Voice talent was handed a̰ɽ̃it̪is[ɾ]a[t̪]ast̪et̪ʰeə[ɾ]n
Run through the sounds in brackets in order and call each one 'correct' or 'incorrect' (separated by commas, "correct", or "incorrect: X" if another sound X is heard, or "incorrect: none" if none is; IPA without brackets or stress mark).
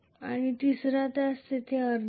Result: correct, correct, correct